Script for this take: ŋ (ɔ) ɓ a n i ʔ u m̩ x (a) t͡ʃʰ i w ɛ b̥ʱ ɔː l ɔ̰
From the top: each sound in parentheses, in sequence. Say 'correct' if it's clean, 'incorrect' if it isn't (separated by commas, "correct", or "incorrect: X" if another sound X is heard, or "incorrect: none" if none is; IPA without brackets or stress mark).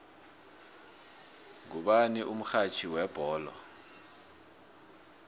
incorrect: u, correct